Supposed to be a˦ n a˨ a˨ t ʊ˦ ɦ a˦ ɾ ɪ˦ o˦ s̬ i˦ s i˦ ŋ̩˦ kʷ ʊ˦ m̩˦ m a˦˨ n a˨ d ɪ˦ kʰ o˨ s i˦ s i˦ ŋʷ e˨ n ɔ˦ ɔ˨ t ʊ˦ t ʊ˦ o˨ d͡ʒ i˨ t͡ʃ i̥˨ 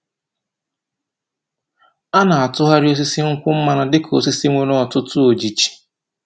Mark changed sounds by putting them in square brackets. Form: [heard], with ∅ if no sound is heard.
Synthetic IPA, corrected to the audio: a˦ n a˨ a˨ t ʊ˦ ɦ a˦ ɾ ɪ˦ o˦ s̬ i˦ s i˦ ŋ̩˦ kʷ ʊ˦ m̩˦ m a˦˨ n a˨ d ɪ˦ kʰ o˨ s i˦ s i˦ ŋʷ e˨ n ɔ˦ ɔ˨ t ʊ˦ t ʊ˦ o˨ d͡ʒ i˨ t͡ʃ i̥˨